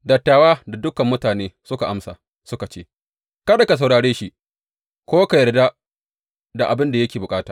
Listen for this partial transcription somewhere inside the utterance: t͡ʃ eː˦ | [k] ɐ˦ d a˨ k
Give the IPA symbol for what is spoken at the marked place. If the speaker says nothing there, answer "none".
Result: k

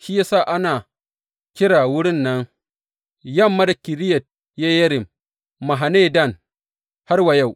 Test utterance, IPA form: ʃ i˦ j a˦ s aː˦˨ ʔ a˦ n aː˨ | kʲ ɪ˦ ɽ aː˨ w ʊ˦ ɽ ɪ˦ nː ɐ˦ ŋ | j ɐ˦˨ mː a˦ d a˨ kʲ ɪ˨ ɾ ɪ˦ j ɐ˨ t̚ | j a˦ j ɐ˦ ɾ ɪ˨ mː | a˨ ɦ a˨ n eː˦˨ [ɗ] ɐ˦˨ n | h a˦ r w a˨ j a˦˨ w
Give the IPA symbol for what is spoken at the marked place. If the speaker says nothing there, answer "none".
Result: d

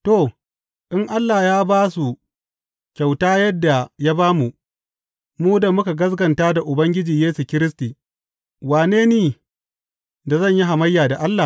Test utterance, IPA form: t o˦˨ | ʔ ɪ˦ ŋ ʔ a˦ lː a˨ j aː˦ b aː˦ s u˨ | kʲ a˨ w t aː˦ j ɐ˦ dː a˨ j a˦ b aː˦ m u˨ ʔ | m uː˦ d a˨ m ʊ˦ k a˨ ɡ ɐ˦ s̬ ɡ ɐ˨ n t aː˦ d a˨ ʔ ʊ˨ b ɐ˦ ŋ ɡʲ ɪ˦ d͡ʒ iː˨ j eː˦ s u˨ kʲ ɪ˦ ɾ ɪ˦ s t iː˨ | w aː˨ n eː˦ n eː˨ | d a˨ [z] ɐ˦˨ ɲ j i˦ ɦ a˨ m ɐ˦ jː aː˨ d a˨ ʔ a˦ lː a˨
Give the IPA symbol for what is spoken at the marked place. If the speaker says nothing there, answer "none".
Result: z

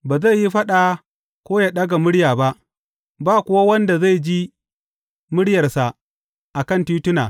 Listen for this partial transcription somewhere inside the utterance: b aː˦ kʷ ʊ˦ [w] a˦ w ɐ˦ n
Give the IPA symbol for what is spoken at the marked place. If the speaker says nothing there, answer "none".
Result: w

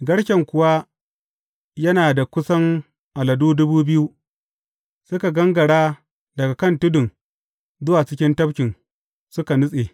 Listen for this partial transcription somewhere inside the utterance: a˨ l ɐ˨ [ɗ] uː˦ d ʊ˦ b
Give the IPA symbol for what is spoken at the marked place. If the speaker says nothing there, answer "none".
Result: d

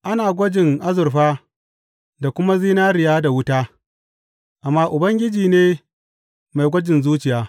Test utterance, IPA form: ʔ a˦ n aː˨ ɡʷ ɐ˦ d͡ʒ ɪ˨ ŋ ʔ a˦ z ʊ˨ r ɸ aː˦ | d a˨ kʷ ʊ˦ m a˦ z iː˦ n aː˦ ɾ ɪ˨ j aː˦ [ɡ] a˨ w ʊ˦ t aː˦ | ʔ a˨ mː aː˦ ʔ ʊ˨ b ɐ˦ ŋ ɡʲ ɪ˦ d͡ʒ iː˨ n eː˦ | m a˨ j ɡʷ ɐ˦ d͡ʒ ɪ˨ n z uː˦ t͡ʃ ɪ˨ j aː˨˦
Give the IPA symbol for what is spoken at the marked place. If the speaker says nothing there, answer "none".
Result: d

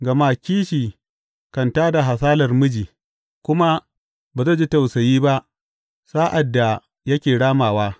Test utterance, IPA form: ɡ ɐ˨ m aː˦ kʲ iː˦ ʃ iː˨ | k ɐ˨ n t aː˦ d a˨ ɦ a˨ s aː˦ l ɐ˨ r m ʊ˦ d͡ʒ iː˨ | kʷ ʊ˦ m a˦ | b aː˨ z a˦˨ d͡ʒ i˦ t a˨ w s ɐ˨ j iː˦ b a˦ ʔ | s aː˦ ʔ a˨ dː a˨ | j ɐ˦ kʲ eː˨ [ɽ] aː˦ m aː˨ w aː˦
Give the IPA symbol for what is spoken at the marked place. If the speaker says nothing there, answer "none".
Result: ɽ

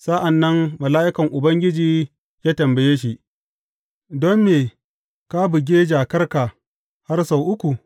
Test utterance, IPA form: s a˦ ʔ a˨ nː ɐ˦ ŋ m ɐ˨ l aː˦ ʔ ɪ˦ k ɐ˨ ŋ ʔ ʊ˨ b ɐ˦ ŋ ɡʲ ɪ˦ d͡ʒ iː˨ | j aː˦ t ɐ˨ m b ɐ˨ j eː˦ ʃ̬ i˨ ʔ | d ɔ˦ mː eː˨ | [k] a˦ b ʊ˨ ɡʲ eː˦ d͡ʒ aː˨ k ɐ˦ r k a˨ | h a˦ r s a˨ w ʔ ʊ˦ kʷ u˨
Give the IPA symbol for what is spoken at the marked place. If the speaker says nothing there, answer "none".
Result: k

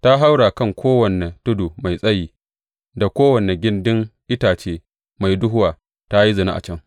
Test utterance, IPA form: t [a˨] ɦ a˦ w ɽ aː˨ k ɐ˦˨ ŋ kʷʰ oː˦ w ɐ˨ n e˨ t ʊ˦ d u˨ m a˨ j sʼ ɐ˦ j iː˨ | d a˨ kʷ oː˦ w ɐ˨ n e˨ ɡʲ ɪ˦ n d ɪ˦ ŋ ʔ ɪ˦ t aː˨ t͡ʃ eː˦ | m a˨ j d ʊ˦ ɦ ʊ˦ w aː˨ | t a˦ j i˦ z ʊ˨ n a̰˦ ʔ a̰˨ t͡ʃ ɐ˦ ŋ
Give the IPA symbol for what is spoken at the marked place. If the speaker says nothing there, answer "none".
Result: a˦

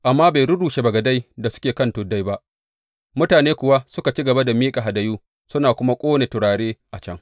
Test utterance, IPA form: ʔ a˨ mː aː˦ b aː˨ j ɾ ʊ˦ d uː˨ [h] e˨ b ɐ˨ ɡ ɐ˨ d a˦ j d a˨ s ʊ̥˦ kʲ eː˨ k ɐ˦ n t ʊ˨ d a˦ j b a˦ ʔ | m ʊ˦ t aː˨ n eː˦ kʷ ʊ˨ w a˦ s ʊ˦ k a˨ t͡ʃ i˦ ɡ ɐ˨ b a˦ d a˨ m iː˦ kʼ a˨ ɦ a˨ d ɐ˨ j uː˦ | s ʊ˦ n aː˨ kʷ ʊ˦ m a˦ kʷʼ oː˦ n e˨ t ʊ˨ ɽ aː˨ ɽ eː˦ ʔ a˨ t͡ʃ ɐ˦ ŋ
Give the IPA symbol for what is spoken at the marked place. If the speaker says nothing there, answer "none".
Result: ʃ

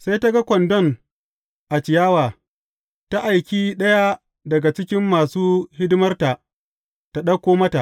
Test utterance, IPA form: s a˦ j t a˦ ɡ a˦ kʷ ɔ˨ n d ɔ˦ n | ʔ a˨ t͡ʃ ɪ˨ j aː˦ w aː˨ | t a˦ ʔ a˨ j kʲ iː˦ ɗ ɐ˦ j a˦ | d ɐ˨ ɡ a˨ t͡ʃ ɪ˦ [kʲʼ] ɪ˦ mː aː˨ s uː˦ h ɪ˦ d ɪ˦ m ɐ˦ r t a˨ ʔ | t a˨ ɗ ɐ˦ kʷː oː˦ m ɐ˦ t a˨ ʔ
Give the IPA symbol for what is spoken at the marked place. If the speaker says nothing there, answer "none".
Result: kʲ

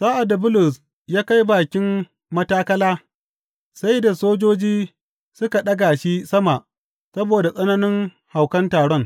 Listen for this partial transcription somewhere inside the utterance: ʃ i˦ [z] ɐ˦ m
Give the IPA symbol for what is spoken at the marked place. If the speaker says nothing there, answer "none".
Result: s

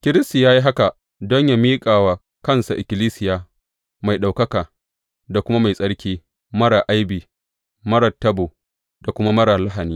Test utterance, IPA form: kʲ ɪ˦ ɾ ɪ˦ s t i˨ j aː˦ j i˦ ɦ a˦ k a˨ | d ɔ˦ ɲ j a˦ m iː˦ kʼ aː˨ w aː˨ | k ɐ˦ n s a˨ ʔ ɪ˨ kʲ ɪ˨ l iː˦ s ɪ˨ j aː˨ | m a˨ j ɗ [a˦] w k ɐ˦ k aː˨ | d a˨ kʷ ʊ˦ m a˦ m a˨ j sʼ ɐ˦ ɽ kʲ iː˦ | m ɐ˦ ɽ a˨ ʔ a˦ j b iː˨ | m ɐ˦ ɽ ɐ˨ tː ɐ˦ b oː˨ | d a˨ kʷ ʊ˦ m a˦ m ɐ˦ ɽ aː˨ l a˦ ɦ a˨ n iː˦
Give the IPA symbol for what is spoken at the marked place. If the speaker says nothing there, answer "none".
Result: a˨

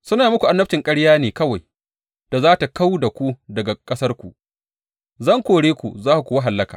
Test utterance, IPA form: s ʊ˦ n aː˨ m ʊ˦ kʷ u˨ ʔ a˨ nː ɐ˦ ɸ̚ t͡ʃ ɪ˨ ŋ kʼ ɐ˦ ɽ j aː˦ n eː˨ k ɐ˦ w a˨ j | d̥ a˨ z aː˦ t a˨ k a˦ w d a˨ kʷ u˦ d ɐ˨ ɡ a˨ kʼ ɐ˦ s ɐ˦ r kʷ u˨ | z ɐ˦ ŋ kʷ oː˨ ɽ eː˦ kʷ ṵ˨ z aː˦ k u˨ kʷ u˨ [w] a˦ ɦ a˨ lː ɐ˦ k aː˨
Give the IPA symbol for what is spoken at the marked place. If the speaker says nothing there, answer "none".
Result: w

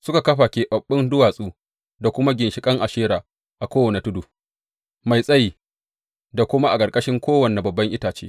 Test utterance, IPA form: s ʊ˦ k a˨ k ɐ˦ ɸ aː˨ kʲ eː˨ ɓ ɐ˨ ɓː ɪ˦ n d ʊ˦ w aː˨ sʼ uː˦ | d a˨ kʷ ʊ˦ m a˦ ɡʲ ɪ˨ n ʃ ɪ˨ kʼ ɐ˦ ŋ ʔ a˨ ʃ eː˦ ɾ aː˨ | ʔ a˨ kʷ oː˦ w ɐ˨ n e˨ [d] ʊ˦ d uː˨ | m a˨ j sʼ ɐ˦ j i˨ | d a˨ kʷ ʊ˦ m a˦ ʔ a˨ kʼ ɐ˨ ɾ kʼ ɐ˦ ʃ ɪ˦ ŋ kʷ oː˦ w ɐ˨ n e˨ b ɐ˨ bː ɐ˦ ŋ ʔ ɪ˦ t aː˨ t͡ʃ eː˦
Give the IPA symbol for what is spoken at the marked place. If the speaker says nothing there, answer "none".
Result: t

